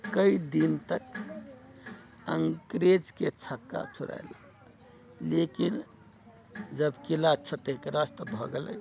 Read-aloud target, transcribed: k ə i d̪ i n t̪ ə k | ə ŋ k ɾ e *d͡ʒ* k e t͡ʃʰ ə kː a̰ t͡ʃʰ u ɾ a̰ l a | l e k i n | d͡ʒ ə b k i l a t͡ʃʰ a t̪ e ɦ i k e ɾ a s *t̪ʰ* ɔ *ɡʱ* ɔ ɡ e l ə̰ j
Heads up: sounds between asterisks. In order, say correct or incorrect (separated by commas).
correct, incorrect, incorrect